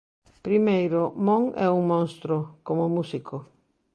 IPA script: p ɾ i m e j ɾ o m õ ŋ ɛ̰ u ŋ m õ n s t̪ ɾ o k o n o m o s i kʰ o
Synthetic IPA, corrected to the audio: p ɾ i m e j ɾ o m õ ŋ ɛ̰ u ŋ m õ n s t̪ ɾ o k o m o m u s i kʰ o